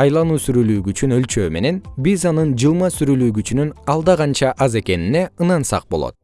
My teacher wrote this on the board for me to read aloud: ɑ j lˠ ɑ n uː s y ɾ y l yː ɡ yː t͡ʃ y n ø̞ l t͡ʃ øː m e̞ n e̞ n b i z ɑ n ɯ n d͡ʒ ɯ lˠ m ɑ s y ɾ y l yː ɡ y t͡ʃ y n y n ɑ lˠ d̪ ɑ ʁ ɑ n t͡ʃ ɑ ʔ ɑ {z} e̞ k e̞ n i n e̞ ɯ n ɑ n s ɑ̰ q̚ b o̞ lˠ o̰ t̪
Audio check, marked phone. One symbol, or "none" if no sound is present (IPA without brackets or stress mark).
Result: z